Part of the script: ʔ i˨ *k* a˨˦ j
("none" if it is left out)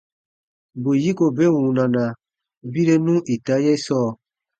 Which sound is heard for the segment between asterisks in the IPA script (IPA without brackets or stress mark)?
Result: t